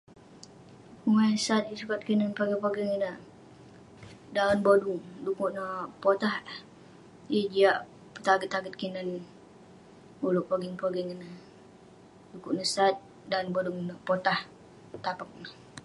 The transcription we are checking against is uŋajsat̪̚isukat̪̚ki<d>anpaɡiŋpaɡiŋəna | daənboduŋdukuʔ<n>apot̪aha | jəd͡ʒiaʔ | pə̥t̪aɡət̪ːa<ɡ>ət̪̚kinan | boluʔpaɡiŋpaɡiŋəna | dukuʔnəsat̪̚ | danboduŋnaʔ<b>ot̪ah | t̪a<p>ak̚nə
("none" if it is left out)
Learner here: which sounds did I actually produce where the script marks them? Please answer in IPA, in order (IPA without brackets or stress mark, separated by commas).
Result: n, n, ɡ, p, p